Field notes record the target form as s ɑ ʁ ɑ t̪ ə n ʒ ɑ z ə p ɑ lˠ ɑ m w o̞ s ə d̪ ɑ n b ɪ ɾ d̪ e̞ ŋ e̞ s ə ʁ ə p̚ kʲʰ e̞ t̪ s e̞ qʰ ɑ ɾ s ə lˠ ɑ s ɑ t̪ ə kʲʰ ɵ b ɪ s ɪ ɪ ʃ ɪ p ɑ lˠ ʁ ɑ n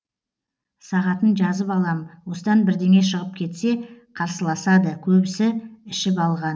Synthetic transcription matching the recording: s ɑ ʁ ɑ t̪ ə n ʒ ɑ z ə p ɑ lˠ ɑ m w o̞ s ə d̪ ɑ n b ɪ ɾ d̪ e̞ ŋ e̞ ʃ ə ʁ ə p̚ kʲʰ e̞ t̪ s e̞ qʰ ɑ ɾ s ə lˠ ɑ s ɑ d̪ ə kʲʰ ɵ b ɪ s ɪ ɪ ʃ ɪ p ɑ lˠ ʁ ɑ n